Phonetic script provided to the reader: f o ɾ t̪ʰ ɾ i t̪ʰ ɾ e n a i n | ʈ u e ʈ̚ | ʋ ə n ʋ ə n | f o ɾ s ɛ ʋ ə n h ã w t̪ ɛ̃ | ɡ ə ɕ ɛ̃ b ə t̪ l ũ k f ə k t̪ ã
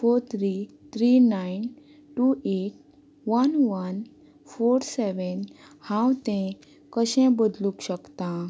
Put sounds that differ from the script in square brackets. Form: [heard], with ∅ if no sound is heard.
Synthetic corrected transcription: f o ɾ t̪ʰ ɾ i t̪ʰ ɾ [i] n a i n | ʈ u e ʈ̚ | ʋ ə n ʋ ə n | f o ɾ s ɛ ʋ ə n h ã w t̪ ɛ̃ | [k] ə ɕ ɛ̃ b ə [d̪] l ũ k [ɕ] ə k t̪ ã